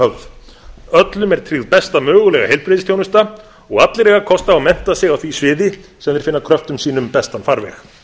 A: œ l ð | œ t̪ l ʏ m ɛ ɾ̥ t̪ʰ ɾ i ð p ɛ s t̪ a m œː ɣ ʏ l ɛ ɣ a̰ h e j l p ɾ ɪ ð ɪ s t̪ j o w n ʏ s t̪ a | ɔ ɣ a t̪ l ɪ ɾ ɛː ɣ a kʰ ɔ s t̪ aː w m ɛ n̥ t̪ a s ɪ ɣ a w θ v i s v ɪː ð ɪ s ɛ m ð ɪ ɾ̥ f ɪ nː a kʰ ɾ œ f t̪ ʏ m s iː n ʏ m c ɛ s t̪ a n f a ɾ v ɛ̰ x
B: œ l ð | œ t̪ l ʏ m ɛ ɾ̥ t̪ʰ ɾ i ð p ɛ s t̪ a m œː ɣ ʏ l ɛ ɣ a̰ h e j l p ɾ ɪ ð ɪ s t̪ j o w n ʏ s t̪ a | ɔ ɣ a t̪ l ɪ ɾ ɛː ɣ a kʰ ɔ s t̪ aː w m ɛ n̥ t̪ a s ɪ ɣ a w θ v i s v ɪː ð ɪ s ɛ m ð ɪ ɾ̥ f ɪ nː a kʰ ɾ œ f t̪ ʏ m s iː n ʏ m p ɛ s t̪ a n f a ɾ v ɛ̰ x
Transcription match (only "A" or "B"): B